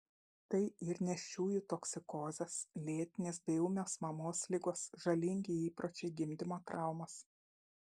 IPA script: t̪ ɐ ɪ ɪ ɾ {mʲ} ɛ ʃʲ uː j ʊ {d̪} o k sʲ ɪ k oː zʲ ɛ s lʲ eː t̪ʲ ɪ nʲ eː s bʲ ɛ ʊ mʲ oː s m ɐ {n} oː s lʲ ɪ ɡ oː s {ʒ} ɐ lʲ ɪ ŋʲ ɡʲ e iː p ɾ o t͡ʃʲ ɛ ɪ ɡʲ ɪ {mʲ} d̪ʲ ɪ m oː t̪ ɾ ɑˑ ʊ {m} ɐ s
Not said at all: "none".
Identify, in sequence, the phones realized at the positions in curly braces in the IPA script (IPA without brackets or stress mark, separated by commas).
nʲ, t̪, m, ʒ, mʲ, m